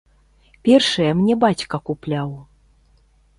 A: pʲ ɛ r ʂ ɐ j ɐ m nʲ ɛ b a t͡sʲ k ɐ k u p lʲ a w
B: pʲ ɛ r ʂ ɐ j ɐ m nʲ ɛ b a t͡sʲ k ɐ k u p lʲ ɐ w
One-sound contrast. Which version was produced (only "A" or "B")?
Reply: A